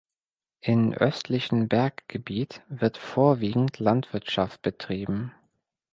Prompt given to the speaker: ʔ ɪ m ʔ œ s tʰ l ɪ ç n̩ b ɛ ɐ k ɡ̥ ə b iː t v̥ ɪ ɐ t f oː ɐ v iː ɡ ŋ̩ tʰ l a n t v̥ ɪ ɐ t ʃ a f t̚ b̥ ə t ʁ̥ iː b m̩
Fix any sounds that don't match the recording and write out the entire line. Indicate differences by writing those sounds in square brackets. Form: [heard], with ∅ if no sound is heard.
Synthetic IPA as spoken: ʔ ɪ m ʔ œ s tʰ l ɪ ç n̩ b ɛ ɐ k ɡ̥ ə b iː t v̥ ɪ ɐ t f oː ɐ v iː ɡ ŋ̩ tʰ l a n t v̥ ɪ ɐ t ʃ a f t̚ b̥ ə t ʁ̥ iː b m̩